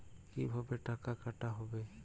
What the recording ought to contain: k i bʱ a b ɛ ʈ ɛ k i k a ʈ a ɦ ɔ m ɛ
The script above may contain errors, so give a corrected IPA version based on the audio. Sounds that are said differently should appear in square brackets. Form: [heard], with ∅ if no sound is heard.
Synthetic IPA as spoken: k i bʱ a b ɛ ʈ [a] k [a] k a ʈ a ɦ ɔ [b] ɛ